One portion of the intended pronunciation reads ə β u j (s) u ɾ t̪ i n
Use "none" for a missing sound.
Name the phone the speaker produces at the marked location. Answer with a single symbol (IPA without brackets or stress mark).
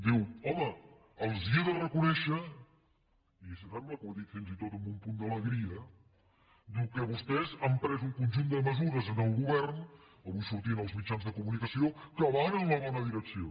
s